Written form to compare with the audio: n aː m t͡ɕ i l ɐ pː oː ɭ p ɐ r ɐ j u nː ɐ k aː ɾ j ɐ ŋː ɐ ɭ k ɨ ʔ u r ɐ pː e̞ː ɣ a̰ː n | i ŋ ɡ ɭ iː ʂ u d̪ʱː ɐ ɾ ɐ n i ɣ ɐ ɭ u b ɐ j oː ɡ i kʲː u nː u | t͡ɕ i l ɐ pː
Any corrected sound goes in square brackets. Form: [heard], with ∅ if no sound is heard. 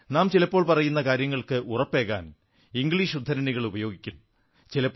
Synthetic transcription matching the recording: n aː m t͡ɕ i l ɐ pː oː ɭ p ɐ r ɐ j u nː ɐ k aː ɾ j ɐ ŋː ɐ ɭ k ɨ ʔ u r ɐ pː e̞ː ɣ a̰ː n | i ŋ ɡ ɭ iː ʂ u d̪ʱː ɐ ɾ ɐ n i ɣ ɐ ɭ u b ɐ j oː ɡ i kʲː u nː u | t͡ɕ i l ɐ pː